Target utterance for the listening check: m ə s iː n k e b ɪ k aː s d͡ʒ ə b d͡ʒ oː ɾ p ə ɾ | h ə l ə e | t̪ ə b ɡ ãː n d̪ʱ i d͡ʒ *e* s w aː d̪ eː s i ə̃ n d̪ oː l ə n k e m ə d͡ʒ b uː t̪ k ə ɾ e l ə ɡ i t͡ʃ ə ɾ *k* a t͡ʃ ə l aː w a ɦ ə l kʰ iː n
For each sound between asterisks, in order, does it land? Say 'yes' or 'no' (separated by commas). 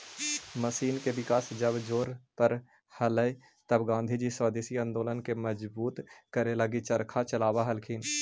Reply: no, no